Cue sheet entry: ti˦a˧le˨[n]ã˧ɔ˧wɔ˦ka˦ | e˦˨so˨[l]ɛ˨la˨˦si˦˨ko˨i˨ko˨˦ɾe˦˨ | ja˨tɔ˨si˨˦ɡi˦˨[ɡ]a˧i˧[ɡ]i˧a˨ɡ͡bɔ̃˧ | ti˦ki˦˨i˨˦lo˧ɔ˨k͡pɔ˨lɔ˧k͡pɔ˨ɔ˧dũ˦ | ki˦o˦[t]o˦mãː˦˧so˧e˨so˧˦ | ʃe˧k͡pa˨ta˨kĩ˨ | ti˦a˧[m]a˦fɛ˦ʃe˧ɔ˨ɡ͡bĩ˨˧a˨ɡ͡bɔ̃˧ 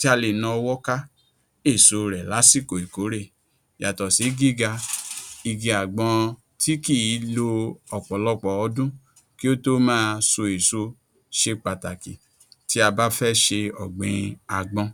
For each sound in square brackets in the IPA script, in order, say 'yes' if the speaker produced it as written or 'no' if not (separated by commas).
yes, no, yes, yes, yes, no